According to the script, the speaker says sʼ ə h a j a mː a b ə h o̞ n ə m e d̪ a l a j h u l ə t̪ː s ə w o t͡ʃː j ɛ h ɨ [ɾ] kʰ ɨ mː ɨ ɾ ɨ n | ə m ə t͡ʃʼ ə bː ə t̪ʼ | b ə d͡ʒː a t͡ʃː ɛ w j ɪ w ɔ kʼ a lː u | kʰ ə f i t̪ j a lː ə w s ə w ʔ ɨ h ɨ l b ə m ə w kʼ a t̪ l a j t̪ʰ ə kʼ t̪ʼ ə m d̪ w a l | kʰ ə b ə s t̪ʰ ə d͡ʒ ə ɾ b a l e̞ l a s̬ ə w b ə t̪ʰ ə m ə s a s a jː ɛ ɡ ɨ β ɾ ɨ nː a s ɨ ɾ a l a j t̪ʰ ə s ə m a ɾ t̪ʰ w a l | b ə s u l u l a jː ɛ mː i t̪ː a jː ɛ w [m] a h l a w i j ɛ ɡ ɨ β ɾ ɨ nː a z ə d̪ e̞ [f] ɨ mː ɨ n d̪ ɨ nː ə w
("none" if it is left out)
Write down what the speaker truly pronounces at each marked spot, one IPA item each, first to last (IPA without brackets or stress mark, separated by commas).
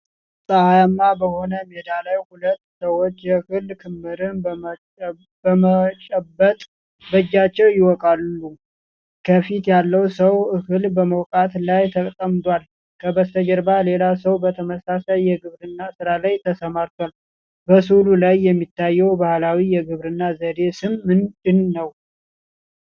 l, b, s